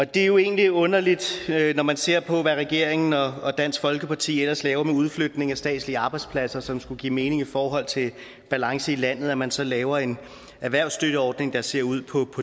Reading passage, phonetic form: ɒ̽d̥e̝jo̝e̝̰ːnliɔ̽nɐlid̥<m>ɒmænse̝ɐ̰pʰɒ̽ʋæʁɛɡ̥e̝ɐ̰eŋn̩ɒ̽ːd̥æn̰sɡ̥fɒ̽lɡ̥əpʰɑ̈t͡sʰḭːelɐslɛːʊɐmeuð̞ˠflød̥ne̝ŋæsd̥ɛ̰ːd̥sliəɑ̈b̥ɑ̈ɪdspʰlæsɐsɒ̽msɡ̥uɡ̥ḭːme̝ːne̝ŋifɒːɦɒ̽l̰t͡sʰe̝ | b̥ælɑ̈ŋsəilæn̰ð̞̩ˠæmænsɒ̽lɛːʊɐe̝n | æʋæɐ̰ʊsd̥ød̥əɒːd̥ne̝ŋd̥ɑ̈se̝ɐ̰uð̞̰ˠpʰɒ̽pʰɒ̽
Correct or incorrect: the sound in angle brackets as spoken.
incorrect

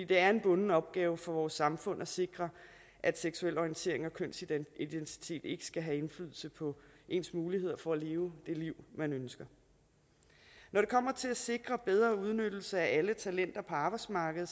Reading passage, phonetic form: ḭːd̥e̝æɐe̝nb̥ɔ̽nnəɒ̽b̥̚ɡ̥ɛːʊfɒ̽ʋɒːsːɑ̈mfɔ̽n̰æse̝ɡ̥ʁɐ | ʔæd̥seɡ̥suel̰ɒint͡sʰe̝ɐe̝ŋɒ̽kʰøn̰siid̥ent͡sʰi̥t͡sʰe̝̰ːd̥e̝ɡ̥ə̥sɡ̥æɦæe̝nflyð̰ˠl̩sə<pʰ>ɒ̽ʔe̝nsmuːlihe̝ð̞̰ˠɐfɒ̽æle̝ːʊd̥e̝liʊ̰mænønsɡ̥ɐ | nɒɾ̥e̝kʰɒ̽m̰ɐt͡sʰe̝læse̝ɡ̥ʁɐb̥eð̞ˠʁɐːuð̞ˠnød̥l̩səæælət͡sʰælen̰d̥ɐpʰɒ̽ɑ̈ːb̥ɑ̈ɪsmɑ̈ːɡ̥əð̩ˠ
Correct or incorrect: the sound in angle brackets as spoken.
correct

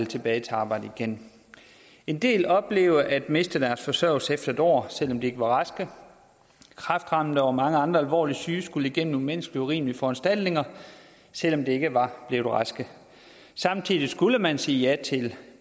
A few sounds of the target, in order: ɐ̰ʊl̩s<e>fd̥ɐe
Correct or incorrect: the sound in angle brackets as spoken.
correct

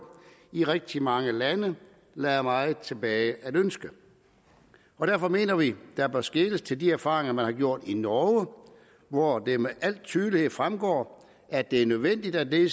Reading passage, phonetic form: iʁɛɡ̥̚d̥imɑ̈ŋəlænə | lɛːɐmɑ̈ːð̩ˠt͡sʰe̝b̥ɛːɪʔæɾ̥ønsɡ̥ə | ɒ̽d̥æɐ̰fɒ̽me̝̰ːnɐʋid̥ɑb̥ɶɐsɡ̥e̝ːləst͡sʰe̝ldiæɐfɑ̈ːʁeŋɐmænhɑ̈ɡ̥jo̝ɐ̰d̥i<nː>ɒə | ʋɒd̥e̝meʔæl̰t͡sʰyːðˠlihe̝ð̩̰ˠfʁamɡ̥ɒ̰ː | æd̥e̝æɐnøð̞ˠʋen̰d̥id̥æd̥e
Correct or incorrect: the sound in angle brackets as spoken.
incorrect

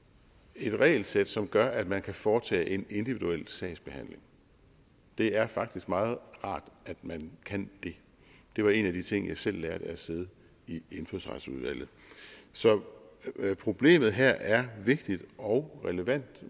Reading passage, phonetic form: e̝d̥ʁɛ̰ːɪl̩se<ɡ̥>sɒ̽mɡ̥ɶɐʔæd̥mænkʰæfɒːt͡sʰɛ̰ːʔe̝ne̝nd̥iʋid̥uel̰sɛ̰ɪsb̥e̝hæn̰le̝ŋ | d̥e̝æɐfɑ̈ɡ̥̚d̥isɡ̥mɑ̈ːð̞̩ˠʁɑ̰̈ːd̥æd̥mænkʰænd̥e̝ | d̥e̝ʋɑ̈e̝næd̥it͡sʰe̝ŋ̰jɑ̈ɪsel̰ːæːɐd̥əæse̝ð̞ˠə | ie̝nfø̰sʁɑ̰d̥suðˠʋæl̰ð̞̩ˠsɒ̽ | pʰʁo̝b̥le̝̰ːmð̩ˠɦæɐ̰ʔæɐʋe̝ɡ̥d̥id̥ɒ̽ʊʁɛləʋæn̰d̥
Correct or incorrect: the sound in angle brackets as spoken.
incorrect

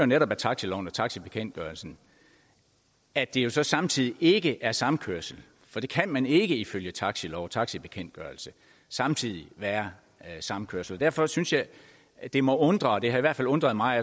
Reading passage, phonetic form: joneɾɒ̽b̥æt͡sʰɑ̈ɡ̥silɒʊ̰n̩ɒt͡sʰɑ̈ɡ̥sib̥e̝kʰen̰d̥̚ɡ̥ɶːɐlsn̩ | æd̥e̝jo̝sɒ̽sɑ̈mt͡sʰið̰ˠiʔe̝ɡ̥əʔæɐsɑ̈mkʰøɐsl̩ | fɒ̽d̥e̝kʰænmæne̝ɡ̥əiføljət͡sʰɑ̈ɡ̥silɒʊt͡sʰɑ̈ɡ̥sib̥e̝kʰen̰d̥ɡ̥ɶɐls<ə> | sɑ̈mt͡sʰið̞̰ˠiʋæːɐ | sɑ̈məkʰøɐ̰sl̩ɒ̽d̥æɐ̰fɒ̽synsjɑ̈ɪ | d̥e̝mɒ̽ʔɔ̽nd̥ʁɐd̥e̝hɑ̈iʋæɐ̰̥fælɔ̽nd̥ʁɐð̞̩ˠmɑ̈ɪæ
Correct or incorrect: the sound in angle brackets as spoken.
correct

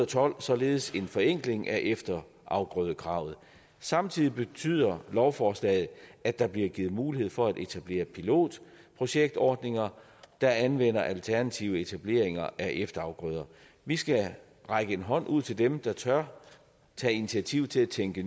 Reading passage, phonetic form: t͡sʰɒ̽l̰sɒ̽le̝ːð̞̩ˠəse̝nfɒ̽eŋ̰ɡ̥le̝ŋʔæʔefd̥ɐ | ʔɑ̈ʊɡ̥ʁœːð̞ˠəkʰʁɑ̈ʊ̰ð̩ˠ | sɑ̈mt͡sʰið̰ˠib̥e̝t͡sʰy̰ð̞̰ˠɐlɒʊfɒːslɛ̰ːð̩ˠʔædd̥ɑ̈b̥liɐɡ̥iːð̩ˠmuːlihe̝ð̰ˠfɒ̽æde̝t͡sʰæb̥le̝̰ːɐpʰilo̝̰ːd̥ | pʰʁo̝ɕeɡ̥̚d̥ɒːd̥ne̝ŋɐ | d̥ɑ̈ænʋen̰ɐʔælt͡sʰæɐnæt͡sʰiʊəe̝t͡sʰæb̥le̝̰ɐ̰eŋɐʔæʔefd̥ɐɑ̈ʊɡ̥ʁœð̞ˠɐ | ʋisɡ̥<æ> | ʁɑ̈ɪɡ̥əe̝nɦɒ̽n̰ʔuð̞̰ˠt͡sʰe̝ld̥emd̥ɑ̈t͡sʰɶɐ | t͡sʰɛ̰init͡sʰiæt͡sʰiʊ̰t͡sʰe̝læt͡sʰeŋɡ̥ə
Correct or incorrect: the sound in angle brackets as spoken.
correct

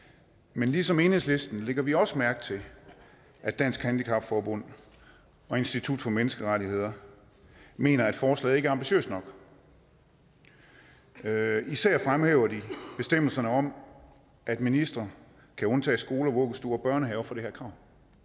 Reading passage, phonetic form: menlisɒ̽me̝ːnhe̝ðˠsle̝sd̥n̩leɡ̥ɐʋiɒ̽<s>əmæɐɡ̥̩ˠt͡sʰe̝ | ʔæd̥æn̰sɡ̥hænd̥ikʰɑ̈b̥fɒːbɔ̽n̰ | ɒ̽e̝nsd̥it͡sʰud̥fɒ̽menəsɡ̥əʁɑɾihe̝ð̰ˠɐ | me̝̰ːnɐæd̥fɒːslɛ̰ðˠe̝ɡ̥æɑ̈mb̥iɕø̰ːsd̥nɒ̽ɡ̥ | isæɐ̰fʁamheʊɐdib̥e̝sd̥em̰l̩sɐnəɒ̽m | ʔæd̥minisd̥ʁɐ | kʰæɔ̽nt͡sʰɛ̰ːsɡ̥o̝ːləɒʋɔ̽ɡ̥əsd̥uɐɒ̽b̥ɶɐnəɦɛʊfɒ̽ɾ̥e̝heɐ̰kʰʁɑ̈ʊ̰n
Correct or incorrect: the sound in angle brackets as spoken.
correct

